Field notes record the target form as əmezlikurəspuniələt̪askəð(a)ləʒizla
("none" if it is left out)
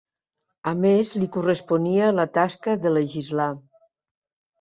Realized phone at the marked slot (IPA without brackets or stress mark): ə